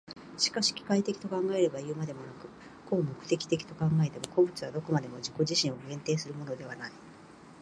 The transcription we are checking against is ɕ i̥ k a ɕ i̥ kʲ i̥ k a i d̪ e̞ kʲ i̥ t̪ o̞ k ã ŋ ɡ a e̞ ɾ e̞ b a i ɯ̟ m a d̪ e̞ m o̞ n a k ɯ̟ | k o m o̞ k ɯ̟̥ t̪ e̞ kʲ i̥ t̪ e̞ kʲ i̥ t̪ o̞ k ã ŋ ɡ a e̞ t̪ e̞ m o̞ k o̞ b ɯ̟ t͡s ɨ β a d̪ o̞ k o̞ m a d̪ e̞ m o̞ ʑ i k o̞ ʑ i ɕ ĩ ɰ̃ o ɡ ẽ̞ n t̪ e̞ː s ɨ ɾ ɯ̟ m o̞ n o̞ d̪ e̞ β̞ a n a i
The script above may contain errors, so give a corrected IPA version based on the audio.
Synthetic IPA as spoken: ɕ i̥ k a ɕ i̥ kʲ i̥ k a i t̪ e̞ kʲ i̥ t̪ o̞ k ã ŋ ɡ a e̞ ɾ e̞ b a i ɯ̟ m a d̪ e̞ m o̞ n a k ɯ̟ | k o m o̞ k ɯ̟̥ t̪ e̞ kʲ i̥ t̪ e̞ kʲ i̥ t̪ o̞ k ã ŋ ɡ a e̞ t̪ e̞ m o̞ k o̞ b ɯ̟ t͡s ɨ β a d̪ o̞ k o̞ m a d̪ e̞ m o̞ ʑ i k o̞ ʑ i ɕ ĩ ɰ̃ o ɡ ẽ̞ n t̪ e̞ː s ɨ ɾ ɯ̟ m o̞ n o̞ d̪ e̞ β̞ a n a i